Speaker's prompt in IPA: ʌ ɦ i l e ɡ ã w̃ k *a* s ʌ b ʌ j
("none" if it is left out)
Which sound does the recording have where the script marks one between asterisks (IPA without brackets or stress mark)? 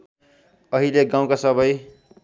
a